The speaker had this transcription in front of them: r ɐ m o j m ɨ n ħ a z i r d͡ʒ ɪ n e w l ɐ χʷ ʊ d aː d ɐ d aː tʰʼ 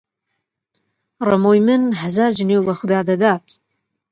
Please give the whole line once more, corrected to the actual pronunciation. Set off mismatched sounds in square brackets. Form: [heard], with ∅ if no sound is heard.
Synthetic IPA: r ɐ m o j m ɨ n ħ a z [a] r d͡ʒ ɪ n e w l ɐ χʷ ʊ d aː d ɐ d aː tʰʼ